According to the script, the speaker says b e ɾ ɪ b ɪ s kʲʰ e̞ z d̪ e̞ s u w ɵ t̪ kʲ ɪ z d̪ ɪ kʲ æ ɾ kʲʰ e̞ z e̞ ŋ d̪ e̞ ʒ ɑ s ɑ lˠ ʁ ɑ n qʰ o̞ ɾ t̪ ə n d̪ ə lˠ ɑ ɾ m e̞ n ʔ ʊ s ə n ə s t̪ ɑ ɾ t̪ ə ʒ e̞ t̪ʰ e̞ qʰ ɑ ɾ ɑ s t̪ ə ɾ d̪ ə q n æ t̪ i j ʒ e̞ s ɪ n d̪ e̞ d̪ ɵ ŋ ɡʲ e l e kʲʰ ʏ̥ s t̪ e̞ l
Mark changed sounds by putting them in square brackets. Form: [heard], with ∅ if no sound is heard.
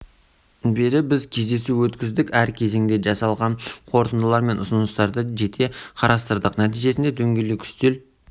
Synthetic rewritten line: b e ɾ ɪ b ɪ [z] kʲʰ e̞ z d̪ e̞ s u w ɵ t̪ kʲ ɪ z d̪ ɪ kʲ æ ɾ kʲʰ e̞ z e̞ ŋ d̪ e̞ ʒ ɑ s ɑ lˠ ʁ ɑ n qʰ o̞ ɾ t̪ ə n d̪ ə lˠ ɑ ɾ m e̞ n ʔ ʊ s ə n ə s t̪ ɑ ɾ [d̪] ə ʒ e̞ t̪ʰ e̞ qʰ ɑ ɾ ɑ s t̪ ə ɾ d̪ ə q n æ t̪ i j ʒ e̞ s ɪ n d̪ e̞ d̪ ɵ ŋ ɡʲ e l e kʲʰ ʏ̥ s t̪ e̞ l